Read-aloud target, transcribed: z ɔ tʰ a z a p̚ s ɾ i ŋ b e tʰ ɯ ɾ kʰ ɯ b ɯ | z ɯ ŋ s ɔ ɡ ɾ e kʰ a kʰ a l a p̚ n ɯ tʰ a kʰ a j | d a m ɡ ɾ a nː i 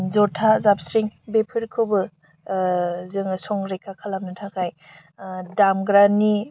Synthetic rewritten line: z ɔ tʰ a z a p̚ s ɾ i ŋ b e pʰ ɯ ɾ kʰ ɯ b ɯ | z ɯ ŋ s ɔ ŋ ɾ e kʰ a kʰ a l a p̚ n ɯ tʰ a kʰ a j | d a m ɡ ɾ a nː i